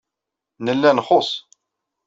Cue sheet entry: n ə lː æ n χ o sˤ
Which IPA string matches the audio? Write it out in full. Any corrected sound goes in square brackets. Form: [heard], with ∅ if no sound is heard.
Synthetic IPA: n ə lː æ n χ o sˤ